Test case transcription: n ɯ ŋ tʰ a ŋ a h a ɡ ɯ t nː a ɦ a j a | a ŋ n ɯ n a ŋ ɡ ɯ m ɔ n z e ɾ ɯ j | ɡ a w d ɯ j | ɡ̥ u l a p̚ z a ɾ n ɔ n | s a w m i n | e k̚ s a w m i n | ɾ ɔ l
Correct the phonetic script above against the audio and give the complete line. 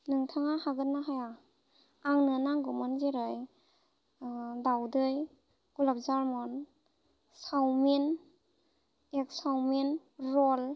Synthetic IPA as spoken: n ɯ ŋ tʰ a ŋ a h a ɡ ɯ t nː a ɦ a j a | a ŋ n ɯ n a ŋ ɡ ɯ m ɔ n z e ɾ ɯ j | d a w d ɯ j | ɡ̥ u l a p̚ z a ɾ m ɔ n | s a w m i n | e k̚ s a w m i n | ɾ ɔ l

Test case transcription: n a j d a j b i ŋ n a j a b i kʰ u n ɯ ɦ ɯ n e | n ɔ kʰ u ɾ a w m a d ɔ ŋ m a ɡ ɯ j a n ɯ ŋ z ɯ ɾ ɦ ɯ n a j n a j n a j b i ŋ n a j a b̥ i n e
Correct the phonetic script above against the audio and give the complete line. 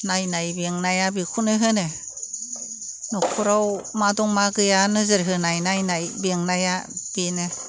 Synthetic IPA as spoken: n a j n a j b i ŋ n a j a b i kʰ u n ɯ ɦ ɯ n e | n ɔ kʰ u ɾ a w m a d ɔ ŋ m a ɡ ɯ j a n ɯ z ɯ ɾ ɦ ɯ n a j n a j n a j b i ŋ n a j a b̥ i n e

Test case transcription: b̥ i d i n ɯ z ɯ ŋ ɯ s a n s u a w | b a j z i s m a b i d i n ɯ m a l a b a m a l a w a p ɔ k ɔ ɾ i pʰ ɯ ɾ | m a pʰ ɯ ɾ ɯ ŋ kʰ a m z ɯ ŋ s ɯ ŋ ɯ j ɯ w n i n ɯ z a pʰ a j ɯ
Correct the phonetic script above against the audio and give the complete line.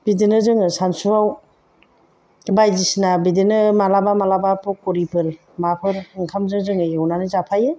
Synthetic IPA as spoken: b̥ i d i n ɯ z ɯ ŋ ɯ s a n s u a w | b a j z i s n a b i d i n ɯ m a l a b a m a l a b a p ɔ k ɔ ɾ i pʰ ɯ ɾ | m a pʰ ɯ ɾ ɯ ŋ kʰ a m z ɯ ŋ z ɯ ŋ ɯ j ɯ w n a n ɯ z a pʰ a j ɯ

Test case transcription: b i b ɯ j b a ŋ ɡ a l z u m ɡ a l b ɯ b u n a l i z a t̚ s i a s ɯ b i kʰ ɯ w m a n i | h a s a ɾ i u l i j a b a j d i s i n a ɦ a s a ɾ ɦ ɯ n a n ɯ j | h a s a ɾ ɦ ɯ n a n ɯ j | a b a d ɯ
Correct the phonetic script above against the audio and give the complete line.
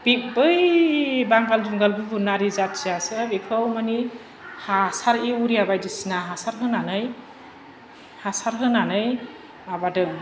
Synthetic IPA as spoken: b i b ɯ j b a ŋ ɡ a l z u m ɡ a l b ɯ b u n a ɾ i z a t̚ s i a s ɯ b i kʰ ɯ w m a n i | h a s a ɾ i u ɾ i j a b a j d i s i n a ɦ a s a ɾ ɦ ɯ n a n ɯ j | h a s a ɾ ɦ ɯ n a n ɯ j | a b a d ɯ

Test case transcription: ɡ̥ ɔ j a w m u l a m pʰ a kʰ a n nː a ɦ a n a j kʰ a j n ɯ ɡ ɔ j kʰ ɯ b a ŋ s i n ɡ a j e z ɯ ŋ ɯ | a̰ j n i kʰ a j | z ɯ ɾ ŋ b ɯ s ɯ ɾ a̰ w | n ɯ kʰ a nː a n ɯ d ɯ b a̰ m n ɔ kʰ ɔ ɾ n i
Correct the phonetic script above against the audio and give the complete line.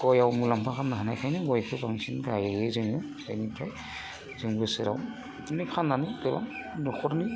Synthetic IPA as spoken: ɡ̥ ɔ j a w m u l a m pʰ a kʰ a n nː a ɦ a n a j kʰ a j n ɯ ɡ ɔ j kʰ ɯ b a ŋ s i n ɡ a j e z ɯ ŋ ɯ | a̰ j n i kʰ a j | z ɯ ŋ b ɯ s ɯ ɾ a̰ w | n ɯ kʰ a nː a n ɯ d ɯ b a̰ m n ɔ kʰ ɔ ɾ n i

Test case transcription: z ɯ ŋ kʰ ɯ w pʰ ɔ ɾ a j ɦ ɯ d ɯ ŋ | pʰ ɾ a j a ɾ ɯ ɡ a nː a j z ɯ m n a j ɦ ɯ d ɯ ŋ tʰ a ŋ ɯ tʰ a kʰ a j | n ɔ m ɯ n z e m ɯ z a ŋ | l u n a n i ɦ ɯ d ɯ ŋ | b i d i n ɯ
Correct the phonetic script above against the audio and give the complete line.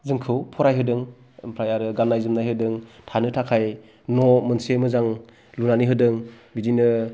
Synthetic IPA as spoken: z ɯ ŋ kʰ ɯ w pʰ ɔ ɾ a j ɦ ɯ d ɯ ŋ | pʰ ɾ a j a ɾ ɯ ɡ a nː a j z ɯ m n a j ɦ ɯ d ɯ ŋ tʰ a n ɯ tʰ a kʰ a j | n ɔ m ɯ n s e m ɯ z a ŋ | l u n a n i ɦ ɯ d ɯ ŋ | b i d i n ɯ

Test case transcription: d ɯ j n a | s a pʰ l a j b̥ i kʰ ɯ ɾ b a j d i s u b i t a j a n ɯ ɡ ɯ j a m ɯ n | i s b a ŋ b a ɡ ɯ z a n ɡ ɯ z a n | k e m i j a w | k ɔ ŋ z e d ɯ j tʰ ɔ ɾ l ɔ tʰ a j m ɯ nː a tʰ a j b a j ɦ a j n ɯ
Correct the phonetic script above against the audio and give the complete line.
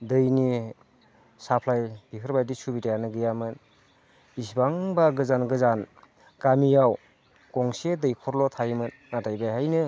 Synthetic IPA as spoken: d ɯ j n i | s a pʰ l a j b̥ i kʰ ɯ ɾ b a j d i s u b i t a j a n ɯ ɡ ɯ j a m ɯ n | i s b a ŋ b a ɡ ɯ z a n ɡ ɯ z a n | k a m i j a w | k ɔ ŋ s e d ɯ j kʰ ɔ ɾ l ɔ tʰ a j m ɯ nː a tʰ a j b a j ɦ a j n ɯ

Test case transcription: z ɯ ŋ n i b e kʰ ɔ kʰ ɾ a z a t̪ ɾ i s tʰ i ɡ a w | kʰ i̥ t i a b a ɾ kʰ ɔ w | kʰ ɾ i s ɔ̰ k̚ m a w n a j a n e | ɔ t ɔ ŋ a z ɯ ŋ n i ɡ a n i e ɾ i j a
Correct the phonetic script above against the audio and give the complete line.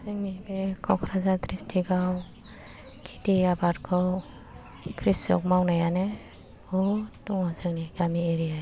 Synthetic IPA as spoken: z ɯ ŋ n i b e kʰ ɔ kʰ ɾ a z a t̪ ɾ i s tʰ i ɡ a w | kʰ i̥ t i a b a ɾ kʰ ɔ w | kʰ ɾ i s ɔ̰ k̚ m a w n a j a n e | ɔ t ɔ ŋ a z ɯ ŋ n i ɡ a m i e ɾ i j a

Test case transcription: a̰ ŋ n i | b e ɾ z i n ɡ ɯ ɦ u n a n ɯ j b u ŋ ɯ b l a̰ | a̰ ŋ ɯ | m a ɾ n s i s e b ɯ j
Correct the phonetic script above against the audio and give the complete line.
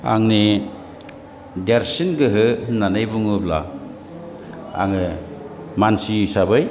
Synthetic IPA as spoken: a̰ ŋ n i | d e ɾ s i n ɡ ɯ ɦ ɯ n a n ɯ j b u ŋ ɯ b l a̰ | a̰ ŋ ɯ | m a n s i s a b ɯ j

